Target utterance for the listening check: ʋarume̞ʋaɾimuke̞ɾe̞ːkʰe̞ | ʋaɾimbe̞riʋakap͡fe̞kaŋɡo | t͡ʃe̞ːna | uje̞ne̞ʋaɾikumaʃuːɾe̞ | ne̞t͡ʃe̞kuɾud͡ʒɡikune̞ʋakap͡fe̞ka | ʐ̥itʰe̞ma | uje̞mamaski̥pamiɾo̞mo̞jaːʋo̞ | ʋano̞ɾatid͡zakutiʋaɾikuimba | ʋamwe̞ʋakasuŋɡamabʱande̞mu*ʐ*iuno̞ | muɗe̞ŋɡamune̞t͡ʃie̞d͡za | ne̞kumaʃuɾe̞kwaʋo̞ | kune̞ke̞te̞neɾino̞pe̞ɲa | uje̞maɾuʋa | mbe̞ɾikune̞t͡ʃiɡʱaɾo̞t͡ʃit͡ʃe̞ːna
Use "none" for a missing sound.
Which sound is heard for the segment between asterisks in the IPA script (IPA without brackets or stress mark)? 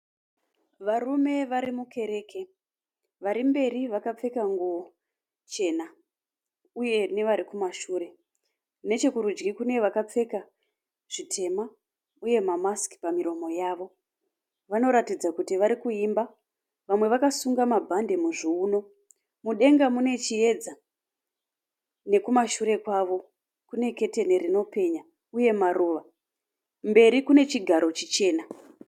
ʐ